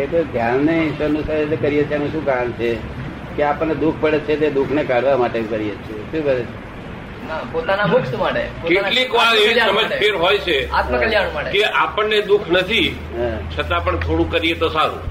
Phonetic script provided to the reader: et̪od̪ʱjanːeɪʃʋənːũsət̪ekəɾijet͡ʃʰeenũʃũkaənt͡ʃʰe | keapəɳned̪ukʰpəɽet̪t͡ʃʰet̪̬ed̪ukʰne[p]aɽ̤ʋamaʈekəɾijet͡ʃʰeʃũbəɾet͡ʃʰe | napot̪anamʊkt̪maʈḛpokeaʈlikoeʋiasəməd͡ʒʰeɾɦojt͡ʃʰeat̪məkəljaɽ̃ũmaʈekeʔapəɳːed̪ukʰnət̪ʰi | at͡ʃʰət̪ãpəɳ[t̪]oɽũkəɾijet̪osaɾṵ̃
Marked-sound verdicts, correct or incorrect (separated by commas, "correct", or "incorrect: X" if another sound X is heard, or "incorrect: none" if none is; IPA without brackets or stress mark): incorrect: k, incorrect: t̪ʰ